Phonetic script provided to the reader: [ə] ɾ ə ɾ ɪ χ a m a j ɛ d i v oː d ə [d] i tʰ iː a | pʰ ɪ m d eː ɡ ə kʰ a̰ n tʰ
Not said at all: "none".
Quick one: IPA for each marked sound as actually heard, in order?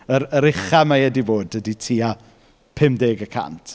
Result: ə, d

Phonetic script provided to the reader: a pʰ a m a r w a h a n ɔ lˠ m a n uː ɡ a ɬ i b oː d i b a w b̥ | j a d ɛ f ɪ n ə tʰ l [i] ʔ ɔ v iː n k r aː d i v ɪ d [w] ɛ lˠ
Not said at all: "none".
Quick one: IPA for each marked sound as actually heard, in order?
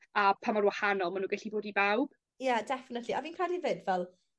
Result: i, v

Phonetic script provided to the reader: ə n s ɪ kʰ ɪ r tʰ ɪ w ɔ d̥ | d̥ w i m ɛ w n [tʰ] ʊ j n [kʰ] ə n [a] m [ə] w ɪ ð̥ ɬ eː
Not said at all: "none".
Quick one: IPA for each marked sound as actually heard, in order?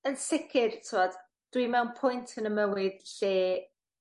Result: pʰ, tʰ, ə, ə

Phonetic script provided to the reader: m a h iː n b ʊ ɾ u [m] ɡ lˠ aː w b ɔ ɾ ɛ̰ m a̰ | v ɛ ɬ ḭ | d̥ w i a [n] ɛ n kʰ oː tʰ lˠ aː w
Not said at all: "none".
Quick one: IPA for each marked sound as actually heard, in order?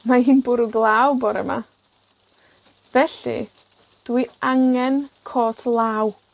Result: none, ŋ

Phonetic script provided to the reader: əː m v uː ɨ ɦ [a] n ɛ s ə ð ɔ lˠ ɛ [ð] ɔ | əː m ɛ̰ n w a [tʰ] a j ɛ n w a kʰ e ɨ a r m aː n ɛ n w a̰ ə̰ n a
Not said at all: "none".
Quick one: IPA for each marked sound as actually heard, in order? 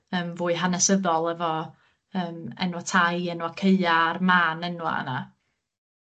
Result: a, v, tʰ

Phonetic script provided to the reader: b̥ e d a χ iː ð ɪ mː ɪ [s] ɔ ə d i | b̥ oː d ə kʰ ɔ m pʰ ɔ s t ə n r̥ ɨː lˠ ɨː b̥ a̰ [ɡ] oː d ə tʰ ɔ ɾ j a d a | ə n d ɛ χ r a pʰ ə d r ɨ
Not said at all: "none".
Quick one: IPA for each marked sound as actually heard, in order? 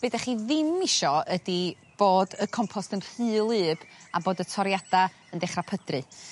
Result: ʃ, b

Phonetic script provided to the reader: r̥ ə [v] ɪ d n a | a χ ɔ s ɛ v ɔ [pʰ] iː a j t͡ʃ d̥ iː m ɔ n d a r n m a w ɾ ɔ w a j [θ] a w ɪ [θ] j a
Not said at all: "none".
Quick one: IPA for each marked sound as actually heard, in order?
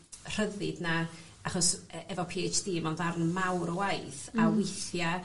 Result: ð, pʰ, θ, θ

